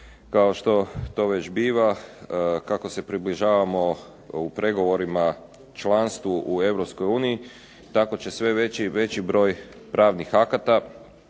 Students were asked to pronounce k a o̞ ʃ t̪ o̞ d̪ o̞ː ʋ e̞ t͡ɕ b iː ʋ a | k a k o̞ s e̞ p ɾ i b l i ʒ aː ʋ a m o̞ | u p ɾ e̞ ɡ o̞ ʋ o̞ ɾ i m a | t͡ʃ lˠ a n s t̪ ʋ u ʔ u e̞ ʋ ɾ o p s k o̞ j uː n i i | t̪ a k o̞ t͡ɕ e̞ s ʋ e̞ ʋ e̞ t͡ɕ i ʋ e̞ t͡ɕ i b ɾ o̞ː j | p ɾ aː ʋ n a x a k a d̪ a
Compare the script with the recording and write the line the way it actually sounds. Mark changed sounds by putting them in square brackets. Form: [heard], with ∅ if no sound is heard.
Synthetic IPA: k a o̞ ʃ t̪ o̞ [t̪] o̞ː ʋ e̞ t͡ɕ b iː ʋ a | k a k o̞ s e̞ p ɾ i b l i ʒ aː ʋ a m o̞ | u p ɾ e̞ ɡ o̞ ʋ o̞ ɾ i m a | t͡ʃ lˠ a n s t̪ ʋ u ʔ u e̞ ʋ ɾ o p s k o̞ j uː n i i | t̪ a k o̞ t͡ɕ e̞ s ʋ e̞ ʋ e̞ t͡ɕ i ʋ e̞ t͡ɕ i b ɾ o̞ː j | p ɾ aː ʋ n [i] x a k a [t̪] a